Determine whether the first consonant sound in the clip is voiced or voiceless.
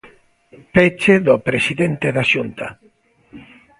voiceless